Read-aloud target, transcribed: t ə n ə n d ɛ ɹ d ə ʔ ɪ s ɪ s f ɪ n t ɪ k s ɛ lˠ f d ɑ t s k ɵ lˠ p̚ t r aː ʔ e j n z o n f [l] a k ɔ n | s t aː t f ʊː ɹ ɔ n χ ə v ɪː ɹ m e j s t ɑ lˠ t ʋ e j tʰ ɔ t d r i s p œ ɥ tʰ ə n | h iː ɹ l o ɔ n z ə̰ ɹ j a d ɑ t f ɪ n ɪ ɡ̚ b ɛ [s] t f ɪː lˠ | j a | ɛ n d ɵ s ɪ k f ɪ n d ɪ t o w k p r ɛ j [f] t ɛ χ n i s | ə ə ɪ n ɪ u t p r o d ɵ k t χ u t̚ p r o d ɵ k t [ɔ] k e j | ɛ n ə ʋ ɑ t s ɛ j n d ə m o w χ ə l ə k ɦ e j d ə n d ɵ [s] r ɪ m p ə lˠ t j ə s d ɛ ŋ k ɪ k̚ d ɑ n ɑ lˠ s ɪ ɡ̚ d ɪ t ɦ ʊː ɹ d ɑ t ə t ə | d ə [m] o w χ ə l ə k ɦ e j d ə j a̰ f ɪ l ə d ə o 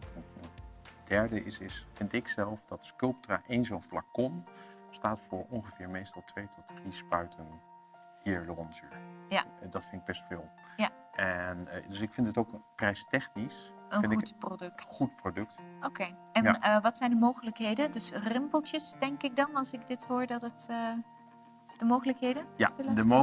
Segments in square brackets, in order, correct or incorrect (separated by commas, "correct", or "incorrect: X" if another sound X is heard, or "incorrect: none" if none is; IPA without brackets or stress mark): correct, correct, incorrect: s, incorrect: o, correct, correct